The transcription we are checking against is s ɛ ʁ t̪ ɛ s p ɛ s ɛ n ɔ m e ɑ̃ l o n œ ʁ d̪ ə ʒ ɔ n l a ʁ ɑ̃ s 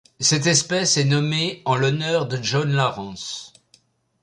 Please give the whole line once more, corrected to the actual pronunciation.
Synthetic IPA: s ɛ t̪ ɛ s p ɛ s ɛ n ɔ m e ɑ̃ l ɔ n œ ʁ d̪ ə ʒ ɔ n l a ʁ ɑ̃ s